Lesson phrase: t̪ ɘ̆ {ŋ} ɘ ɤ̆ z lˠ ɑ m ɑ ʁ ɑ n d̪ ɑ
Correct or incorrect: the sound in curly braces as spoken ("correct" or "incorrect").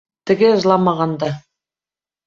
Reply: incorrect